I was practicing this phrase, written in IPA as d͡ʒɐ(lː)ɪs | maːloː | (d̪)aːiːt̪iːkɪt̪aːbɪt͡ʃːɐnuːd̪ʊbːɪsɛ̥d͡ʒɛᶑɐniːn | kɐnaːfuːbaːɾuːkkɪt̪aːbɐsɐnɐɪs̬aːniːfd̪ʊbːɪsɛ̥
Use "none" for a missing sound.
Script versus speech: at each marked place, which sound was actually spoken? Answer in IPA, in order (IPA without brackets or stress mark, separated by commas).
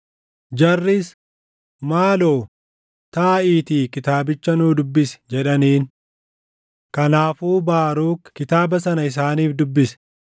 rː, t̪